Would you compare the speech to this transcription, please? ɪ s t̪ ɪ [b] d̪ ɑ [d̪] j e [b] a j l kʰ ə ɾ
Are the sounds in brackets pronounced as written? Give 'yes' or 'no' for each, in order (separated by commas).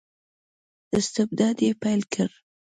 yes, yes, no